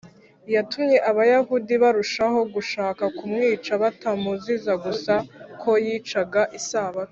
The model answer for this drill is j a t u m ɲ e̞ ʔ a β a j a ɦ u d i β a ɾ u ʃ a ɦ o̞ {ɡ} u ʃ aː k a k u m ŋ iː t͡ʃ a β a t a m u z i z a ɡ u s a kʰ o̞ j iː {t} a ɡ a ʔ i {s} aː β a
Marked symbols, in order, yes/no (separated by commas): yes, no, yes